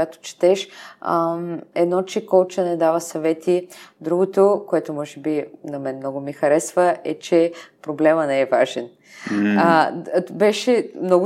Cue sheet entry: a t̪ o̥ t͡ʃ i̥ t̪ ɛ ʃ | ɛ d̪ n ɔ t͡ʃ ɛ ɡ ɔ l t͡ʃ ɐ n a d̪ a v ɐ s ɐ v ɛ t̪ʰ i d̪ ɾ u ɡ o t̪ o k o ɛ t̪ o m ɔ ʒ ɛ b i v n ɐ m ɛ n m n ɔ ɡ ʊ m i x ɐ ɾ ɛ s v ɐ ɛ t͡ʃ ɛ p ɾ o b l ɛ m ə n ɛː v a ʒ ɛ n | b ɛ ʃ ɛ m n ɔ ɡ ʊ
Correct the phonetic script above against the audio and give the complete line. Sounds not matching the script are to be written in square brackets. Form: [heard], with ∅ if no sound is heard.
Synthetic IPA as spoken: a t̪ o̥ t͡ʃ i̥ t̪ ɛ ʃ | ɛ d̪ n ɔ t͡ʃ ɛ [k] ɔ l t͡ʃ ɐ n [ɛ] d̪ a v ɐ s ɐ v ɛ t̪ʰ i d̪ ɾ u ɡ o t̪ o k o ɛ t̪ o m ɔ ʒ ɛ b i [∅] n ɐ m ɛ n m n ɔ ɡ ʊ m i x ɐ ɾ ɛ s v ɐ ɛ t͡ʃ ɛ p ɾ o b l ɛ m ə n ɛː v a ʒ ɛ n | b ɛ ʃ ɛ m n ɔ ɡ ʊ